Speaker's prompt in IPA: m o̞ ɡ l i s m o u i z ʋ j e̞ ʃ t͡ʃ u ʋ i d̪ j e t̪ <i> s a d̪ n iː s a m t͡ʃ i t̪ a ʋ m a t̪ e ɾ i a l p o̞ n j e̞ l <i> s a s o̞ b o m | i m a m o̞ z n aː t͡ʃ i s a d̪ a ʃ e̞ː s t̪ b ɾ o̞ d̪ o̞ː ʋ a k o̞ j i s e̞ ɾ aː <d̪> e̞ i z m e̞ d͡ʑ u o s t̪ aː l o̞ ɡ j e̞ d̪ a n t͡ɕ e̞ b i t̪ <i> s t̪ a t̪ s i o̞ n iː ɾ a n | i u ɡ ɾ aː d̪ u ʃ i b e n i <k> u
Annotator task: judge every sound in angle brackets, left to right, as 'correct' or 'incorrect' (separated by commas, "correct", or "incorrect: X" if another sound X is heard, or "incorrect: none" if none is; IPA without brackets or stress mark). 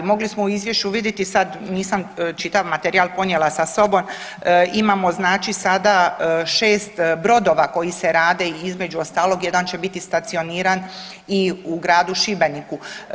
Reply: correct, incorrect: a, correct, correct, correct